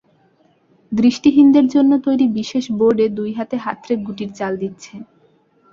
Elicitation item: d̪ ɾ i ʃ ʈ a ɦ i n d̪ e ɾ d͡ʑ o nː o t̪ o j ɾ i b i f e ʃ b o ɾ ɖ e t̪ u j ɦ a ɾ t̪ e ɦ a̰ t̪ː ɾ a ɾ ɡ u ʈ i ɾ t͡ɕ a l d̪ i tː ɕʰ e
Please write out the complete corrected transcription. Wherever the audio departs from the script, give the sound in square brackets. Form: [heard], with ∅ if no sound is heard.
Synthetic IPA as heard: d̪ ɾ i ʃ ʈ [i] ɦ i n d̪ e ɾ d͡ʑ o nː o t̪ o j ɾ i b i [ʃ] e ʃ b o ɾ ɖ e [d̪] u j ɦ a [∅] t̪ e ɦ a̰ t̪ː ɾ [e] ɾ ɡ u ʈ i ɾ t͡ɕ a l d̪ i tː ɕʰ e